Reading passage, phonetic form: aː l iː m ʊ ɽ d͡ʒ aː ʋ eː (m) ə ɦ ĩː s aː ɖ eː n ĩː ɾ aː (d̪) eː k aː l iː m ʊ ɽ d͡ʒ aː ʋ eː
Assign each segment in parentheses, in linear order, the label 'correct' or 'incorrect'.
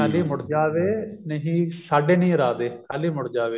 incorrect, correct

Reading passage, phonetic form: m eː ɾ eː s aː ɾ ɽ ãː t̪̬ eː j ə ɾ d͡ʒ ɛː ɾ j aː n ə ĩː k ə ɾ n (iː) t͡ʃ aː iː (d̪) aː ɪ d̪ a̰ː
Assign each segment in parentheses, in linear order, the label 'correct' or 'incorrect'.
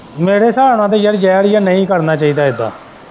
incorrect, correct

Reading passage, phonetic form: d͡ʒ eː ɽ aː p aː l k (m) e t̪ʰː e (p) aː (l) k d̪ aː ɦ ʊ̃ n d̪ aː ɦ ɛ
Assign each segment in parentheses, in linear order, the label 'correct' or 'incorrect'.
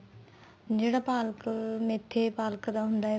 correct, correct, correct

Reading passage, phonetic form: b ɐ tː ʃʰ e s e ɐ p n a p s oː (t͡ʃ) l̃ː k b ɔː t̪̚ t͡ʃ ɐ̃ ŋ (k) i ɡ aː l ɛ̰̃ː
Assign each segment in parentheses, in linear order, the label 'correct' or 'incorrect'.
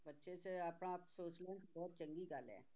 correct, incorrect

